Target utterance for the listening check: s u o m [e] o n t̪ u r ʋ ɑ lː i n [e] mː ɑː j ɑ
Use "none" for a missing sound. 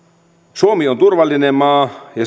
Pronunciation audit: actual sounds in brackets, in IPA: i, e

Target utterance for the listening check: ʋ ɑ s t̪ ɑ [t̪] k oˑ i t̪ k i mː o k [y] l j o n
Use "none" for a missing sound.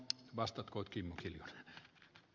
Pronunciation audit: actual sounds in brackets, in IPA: t̪, i

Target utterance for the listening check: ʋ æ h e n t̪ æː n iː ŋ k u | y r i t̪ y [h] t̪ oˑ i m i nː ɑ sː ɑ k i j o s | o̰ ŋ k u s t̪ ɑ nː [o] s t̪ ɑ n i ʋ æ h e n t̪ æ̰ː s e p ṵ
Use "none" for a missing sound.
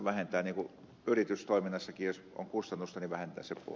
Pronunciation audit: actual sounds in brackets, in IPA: s, u

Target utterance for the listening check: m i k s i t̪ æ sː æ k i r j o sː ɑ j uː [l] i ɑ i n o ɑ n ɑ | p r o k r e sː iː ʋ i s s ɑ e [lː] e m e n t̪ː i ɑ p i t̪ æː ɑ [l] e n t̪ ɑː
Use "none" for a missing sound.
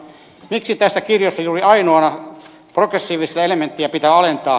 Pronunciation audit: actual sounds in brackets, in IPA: r, l, l

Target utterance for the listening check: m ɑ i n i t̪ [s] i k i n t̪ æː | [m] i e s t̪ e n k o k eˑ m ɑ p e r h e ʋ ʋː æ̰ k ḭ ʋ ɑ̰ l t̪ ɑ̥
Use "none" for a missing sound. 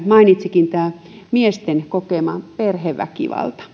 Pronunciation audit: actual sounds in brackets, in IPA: s, m

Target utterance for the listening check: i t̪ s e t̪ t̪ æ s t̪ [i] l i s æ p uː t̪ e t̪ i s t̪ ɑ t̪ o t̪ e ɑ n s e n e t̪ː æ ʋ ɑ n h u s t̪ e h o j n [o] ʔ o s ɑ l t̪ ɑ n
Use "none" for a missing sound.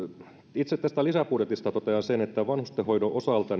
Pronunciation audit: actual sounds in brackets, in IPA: æ, o

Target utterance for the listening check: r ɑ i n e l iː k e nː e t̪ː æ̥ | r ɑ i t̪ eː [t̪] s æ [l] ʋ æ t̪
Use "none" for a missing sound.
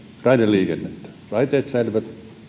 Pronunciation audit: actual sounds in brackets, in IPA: t̪, l

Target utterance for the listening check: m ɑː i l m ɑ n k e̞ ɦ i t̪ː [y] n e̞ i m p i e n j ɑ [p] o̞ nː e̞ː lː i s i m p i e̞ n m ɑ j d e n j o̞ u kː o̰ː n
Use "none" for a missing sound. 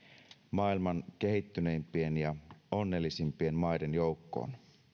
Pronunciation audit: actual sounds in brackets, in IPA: y, none

